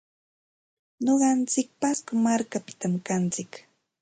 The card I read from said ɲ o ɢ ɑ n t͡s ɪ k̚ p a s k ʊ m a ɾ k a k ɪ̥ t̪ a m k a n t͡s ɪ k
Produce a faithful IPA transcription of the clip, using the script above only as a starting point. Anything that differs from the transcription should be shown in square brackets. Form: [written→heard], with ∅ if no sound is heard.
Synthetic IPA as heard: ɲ o ɢ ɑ n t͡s ɪ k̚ p a s k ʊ m a ɾ k a [k→p] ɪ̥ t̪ a m k a n t͡s ɪ k